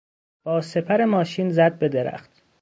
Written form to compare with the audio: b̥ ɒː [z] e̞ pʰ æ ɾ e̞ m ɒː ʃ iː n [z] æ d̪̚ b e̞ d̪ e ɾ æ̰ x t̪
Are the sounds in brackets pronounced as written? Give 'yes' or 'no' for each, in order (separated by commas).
no, yes